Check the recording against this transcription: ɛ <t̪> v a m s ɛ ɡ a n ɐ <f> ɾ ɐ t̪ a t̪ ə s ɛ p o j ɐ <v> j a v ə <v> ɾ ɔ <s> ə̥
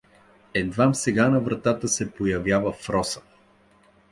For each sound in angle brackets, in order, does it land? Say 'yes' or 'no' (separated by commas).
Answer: no, no, yes, no, yes